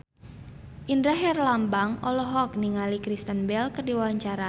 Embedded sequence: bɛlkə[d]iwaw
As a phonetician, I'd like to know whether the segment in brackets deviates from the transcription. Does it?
no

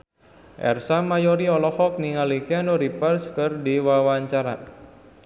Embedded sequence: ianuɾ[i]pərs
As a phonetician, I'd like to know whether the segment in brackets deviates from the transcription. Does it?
no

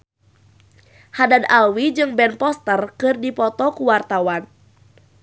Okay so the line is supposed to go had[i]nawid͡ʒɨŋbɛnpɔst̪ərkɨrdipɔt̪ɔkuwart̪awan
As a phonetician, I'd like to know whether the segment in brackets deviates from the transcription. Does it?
yes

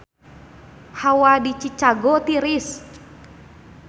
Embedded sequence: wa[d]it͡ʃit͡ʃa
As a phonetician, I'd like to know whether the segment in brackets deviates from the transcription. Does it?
no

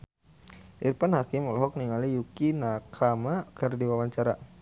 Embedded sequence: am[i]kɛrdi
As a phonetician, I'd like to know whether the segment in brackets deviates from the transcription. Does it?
yes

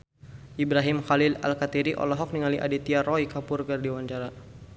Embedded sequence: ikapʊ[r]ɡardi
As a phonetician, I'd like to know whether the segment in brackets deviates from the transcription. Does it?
no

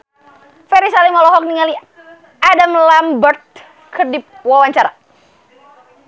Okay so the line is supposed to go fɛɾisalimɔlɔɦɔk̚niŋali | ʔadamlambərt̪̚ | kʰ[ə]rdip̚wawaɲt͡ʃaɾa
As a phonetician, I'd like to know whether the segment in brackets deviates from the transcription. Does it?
no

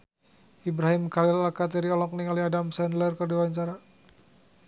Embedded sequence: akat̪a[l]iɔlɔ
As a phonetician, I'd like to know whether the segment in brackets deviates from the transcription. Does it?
yes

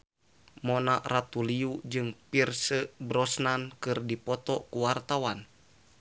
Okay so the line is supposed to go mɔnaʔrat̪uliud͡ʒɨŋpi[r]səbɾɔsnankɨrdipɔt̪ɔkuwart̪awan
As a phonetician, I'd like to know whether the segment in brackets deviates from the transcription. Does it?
no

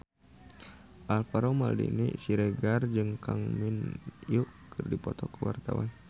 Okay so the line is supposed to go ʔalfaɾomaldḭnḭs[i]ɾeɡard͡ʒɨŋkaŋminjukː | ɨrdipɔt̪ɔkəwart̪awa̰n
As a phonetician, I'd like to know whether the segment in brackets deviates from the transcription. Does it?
no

